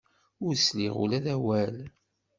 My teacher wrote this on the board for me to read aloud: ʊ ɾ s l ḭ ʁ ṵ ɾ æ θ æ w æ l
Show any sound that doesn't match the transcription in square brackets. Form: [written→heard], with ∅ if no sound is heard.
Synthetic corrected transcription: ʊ ɾ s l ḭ ʁ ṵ [ɾ→l] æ [θ→ð] æ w æ l